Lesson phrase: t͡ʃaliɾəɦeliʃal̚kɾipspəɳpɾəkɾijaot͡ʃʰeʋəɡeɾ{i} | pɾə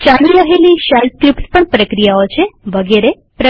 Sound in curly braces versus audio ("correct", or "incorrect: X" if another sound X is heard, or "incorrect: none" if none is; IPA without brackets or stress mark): incorrect: e